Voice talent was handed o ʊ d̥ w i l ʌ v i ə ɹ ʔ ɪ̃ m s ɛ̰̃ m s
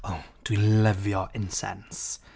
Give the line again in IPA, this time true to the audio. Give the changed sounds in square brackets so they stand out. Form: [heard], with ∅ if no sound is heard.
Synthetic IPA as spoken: o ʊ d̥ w i l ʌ v [j] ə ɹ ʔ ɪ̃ [n] s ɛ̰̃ [n] s